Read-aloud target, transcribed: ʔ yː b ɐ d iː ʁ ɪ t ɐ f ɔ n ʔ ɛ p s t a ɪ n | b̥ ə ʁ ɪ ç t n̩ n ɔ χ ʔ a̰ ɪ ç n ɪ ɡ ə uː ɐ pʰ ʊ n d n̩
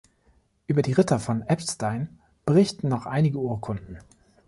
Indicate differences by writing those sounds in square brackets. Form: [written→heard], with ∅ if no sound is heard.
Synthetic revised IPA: ʔ yː b ɐ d iː ʁ ɪ t ɐ f ɔ n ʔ ɛ p s t a ɪ n | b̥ ə ʁ ɪ ç t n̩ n ɔ χ ʔ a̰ ɪ [ç→∅] n ɪ ɡ ə uː ɐ [pʰ→kʰ] ʊ n d n̩